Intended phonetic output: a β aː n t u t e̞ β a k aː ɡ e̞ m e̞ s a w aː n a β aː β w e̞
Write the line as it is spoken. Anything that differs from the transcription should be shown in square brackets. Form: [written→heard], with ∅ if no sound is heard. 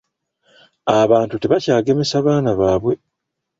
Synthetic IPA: a β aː n t u t e̞ β a [k→c] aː ɡ e̞ m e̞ s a [w→β] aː n a β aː β w e̞